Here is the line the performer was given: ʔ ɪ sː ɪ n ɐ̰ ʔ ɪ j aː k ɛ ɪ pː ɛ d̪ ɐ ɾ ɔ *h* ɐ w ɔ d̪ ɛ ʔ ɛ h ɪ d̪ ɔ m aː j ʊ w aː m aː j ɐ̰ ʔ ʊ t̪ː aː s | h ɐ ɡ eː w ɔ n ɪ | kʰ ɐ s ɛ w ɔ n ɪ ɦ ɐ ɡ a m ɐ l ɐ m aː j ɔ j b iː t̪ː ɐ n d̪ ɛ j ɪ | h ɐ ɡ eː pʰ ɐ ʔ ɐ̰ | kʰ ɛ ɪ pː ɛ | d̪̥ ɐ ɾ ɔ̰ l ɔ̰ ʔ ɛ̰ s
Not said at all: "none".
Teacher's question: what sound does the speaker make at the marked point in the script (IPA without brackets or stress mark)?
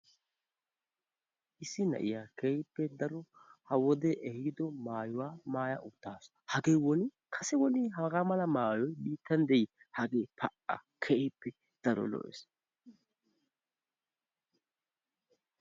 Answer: h